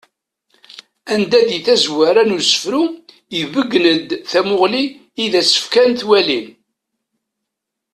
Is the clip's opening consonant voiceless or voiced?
voiced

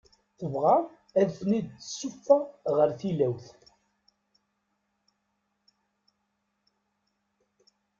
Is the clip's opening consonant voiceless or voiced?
voiceless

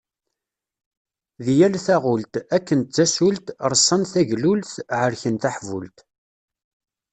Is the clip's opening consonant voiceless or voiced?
voiced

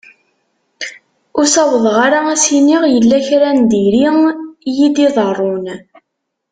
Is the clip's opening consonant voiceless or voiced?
voiceless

